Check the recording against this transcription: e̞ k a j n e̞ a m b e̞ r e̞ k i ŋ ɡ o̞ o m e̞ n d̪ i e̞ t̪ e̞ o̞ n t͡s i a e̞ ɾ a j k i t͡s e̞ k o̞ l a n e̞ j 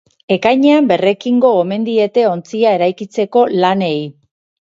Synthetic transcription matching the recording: e̞ k a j ɲ e̞ a m b e̞ r e̞ k i ŋ ɡ o̞ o m e̞ n d̪ i e̞ t̪ e̞ o̞ n t͡s i a e̞ ɾ a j k i t͡s e̞ k o̞ l a n e̞ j